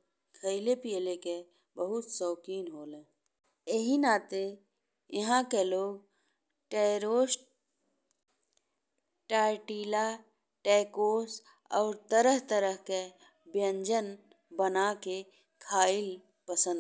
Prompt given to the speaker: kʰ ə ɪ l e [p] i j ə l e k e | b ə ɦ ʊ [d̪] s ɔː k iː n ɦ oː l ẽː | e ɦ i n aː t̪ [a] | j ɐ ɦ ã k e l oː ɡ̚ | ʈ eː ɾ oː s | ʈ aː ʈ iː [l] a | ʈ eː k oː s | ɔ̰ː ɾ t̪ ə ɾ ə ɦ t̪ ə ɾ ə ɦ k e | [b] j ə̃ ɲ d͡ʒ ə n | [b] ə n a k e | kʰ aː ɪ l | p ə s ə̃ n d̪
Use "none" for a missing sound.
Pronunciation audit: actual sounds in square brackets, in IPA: p, t̪, e, l, b, b

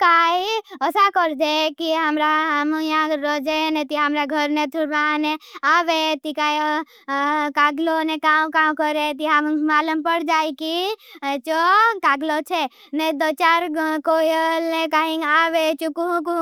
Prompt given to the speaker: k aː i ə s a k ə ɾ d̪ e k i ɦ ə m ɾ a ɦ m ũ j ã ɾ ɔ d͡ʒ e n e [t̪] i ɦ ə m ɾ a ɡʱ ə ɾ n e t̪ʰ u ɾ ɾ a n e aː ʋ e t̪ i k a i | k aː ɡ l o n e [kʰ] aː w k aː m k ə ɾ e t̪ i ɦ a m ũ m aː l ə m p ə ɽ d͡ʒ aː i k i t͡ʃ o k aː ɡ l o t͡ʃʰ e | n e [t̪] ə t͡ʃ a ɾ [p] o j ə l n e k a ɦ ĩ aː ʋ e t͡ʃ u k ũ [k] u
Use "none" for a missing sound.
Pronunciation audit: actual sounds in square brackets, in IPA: t̪, k, d̪, k, k

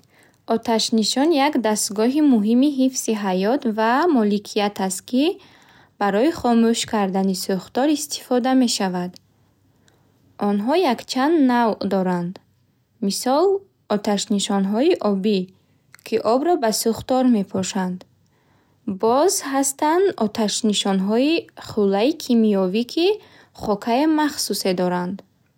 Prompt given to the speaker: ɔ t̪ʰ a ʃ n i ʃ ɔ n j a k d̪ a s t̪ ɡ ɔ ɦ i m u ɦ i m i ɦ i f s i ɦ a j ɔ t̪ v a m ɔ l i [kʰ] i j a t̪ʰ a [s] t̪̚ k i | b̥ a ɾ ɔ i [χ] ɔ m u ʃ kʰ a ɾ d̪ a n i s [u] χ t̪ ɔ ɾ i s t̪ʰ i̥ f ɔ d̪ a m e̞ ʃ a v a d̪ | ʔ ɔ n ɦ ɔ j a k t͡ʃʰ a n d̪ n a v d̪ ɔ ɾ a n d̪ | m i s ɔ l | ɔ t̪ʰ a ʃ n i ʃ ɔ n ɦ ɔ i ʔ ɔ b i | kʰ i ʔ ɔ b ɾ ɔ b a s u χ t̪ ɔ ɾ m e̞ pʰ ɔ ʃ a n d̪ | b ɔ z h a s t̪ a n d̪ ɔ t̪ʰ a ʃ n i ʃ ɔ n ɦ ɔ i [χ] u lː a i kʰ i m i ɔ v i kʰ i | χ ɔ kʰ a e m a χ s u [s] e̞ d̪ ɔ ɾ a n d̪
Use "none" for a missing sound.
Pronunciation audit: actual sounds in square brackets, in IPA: kʰ, s, χ, u, χ, s

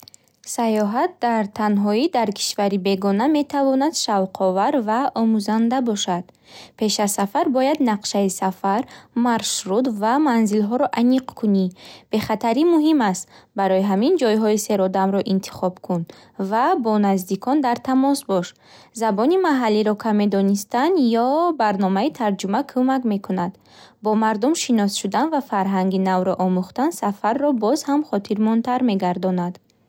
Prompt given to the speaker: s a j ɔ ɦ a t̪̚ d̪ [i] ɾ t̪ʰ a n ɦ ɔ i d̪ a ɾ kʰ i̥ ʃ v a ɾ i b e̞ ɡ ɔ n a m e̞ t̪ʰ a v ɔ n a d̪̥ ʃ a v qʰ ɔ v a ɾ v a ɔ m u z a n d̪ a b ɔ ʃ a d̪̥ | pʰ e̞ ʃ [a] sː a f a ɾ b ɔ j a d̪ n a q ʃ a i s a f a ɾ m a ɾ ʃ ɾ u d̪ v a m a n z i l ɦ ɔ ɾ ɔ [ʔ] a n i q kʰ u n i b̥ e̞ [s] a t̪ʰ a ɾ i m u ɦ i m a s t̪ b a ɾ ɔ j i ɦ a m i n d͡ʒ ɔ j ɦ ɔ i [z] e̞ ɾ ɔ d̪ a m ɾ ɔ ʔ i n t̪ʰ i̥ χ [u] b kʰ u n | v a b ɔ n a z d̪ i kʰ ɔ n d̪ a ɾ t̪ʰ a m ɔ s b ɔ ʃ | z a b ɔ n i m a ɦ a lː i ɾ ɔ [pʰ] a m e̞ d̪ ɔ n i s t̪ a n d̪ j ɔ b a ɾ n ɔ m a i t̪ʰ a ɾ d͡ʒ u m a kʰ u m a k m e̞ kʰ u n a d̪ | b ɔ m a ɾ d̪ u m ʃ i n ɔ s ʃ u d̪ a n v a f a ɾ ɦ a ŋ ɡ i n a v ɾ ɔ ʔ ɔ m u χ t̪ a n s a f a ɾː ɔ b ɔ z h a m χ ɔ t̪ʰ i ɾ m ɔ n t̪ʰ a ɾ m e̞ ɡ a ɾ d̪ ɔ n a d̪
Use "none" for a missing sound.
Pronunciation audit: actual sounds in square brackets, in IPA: a, a, ʔ, χ, s, ɔ, kʰ

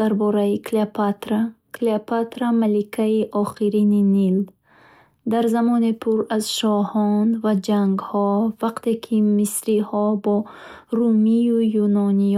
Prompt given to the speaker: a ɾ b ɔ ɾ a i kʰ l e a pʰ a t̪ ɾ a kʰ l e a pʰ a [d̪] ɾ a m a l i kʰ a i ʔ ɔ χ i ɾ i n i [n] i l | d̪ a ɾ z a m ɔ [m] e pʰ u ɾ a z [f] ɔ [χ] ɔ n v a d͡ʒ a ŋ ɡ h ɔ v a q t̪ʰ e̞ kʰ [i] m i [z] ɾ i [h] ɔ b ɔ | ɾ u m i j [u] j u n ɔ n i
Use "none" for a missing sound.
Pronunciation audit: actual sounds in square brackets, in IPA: t̪, n, n, ʃ, h, i, s, h, u

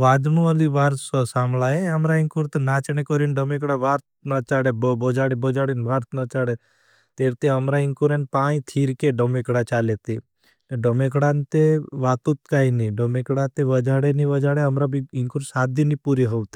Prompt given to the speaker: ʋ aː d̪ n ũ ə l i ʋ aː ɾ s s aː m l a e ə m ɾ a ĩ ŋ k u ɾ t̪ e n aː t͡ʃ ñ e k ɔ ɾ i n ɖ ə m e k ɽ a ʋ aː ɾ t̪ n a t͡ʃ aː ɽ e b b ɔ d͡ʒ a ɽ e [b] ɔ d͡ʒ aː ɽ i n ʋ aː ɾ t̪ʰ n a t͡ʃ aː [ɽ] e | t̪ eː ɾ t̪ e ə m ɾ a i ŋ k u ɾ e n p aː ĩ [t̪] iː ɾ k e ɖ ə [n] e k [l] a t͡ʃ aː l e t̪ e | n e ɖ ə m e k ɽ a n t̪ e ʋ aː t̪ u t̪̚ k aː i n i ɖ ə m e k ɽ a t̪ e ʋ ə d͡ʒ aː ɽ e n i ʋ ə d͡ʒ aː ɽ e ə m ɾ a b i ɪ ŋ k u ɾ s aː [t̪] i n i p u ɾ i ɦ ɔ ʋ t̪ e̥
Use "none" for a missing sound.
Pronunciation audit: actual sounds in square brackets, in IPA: b, ɽ, t̪ʰ, m, ɽ, d̪

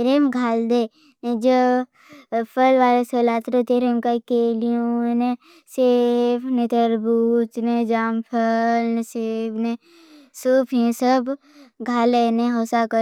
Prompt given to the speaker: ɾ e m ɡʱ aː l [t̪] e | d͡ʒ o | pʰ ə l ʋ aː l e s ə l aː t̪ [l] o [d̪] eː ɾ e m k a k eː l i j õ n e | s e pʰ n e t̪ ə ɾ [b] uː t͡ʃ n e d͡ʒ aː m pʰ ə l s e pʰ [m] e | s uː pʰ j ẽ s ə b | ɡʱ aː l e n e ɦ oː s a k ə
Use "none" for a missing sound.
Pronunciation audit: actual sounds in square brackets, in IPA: d̪, ɾ, t̪, b, n

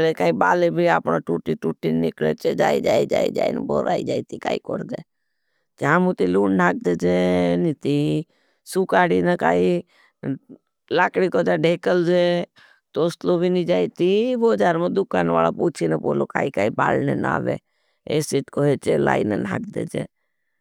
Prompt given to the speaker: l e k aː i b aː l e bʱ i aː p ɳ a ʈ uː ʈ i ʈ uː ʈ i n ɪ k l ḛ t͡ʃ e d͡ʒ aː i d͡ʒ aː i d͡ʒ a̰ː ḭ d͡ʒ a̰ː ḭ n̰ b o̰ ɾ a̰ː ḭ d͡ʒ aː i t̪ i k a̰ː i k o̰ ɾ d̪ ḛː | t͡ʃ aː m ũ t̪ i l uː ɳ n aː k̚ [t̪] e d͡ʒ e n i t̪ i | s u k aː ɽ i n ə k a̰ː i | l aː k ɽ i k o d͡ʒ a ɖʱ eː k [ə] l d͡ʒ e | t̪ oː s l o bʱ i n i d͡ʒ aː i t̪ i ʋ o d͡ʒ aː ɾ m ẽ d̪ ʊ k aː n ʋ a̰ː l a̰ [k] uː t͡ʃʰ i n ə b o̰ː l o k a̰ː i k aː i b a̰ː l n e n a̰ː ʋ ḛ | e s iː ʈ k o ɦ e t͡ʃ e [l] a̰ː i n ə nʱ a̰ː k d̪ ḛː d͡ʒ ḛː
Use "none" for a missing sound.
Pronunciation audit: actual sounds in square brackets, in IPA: d̪, ə, p, l

